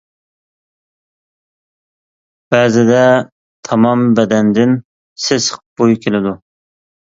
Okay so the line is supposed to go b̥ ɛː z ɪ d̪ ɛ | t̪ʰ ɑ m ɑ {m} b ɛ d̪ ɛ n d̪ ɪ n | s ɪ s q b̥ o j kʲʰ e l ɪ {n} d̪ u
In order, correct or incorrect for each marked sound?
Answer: correct, incorrect

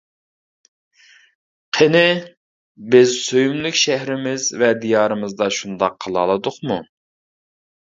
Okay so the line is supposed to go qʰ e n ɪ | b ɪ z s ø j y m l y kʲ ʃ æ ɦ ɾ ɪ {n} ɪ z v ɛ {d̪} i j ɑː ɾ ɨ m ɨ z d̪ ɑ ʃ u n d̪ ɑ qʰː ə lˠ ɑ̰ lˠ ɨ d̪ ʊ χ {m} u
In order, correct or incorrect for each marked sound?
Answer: incorrect, correct, correct

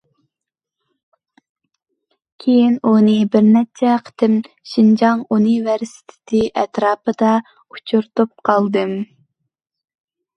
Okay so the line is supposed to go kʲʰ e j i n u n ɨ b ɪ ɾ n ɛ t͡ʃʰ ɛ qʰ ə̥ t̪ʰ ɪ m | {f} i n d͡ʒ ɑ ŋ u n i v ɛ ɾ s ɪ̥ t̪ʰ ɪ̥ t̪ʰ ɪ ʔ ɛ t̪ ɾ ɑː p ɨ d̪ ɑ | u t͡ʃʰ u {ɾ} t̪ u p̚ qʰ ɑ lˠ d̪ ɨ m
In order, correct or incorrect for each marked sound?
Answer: incorrect, correct

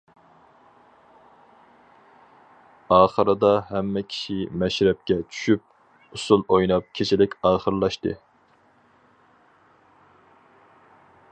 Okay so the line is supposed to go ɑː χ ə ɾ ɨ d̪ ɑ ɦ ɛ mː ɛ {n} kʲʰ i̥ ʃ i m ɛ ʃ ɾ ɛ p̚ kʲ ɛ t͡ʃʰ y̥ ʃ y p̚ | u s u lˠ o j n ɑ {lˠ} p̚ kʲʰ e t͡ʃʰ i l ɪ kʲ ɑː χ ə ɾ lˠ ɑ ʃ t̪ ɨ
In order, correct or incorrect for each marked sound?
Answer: incorrect, incorrect

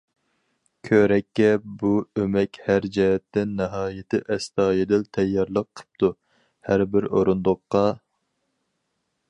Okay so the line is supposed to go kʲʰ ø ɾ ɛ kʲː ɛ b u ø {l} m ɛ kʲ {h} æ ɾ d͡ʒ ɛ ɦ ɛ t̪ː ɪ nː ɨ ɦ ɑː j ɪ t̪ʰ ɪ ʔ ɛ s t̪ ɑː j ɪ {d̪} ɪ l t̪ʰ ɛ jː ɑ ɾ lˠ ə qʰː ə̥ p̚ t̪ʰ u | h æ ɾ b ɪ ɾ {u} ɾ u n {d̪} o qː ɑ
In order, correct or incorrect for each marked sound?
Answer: incorrect, correct, correct, incorrect, correct

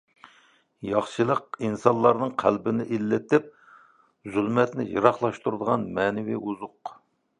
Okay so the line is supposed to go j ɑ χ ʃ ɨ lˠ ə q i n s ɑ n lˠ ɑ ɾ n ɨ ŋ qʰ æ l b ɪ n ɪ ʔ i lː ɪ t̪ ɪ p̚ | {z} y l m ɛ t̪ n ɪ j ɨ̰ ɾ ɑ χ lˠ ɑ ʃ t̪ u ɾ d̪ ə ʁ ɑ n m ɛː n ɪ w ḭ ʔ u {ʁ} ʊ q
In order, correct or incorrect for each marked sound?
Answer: correct, incorrect

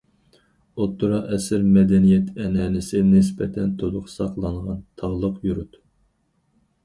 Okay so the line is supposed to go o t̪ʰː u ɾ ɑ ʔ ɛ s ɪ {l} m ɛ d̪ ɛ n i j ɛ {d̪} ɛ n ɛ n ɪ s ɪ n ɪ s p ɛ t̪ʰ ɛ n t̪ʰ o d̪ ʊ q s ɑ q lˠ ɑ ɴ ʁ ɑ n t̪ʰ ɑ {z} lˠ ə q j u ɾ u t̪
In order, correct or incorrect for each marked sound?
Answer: incorrect, incorrect, incorrect

